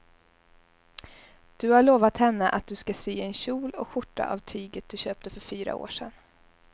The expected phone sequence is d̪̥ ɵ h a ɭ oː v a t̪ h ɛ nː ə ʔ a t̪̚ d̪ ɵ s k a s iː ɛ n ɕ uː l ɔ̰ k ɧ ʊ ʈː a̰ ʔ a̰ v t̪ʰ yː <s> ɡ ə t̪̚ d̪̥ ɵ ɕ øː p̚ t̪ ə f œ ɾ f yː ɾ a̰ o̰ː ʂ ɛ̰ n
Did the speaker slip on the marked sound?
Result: yes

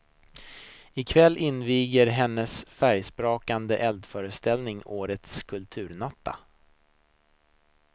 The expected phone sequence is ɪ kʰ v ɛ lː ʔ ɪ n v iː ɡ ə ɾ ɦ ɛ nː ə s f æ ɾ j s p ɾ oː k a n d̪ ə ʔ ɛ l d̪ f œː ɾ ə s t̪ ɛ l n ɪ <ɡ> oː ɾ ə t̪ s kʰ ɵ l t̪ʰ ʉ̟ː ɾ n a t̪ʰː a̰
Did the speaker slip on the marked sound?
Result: yes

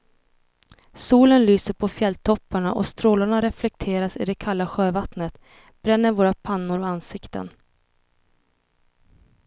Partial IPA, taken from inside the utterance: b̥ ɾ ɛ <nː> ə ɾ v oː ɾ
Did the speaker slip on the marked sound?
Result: no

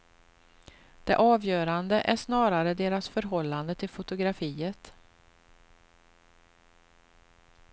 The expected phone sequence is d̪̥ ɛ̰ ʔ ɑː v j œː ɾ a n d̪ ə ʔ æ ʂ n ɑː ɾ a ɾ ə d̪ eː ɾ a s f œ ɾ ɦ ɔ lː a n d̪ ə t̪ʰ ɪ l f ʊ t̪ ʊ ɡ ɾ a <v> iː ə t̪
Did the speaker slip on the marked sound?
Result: yes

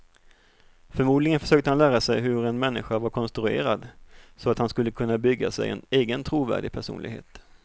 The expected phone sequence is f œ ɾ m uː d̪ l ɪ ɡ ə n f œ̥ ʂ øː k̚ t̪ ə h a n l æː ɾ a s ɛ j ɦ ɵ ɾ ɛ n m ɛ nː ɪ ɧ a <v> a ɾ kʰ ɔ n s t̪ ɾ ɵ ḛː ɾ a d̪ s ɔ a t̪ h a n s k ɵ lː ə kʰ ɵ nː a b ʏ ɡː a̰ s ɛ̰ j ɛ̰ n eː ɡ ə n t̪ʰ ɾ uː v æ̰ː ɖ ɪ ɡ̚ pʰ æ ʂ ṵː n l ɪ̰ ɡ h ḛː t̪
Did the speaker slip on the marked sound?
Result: no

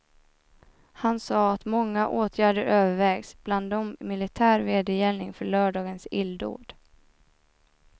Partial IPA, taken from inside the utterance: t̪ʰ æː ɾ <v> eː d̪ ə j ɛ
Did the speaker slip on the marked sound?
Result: no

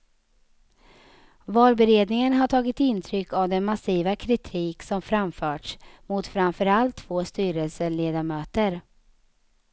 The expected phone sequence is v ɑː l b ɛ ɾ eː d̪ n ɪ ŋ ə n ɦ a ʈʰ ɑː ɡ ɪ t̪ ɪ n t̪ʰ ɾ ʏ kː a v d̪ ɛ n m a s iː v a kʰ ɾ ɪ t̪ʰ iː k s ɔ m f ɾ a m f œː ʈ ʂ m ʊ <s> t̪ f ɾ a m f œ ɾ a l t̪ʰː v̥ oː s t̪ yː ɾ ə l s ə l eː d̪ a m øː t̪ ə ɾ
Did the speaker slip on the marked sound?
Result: yes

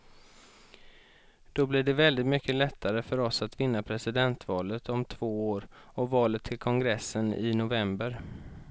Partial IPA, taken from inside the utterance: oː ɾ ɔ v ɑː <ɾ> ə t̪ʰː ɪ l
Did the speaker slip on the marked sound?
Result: yes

